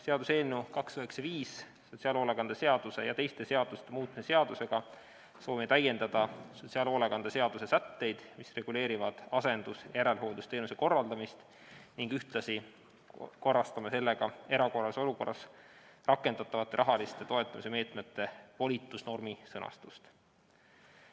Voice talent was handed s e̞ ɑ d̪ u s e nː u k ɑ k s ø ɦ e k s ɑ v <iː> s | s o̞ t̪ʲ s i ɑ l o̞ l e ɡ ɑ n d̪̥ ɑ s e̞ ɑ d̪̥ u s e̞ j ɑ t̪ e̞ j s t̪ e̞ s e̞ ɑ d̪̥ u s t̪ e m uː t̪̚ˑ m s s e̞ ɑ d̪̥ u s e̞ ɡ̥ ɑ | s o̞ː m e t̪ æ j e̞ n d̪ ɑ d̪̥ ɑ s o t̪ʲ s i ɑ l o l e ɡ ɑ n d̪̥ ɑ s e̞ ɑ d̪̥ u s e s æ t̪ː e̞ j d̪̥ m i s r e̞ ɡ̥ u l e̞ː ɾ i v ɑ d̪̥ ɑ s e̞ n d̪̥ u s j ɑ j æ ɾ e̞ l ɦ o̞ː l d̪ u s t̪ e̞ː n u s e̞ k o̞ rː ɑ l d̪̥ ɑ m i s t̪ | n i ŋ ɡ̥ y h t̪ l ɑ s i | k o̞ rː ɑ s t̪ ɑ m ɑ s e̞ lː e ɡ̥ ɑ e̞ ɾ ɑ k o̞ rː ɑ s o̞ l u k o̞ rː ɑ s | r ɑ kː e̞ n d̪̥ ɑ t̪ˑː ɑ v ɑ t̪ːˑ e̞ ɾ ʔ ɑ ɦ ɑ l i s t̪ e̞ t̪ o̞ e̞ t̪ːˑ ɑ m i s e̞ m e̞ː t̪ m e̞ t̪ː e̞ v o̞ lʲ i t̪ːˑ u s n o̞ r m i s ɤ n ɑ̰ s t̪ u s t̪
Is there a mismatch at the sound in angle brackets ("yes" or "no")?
no